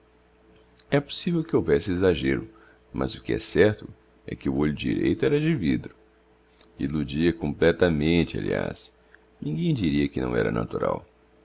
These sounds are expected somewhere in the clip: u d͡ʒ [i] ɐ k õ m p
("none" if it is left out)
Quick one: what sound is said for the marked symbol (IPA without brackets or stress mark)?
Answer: i